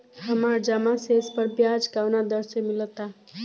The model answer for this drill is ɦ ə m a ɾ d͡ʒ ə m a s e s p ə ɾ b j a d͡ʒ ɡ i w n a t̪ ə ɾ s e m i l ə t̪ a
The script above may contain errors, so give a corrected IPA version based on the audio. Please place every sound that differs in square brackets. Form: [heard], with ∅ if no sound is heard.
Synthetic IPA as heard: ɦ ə m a ɾ d͡ʒ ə m a s e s p ə ɾ b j a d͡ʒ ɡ [a] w n a [d̪] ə ɾ s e m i l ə t̪ a